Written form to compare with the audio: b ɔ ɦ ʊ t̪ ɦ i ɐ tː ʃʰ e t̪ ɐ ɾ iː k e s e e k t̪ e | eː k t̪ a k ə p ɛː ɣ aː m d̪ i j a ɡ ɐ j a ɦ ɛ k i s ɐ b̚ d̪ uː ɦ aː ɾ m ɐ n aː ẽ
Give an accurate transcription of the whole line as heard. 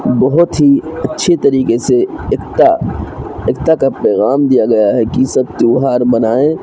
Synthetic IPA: b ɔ ɦ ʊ t̪ ɦ i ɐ tː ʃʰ e t̪ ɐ ɾ iː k e s e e k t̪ a | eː k t̪ a k a p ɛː ɣ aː m d̪ i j a ɡ ɐ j a ɦ ɛ k i s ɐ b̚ t̪ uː ɦ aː ɾ b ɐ n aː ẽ